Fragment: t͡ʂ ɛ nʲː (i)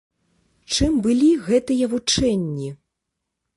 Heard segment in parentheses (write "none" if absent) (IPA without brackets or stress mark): i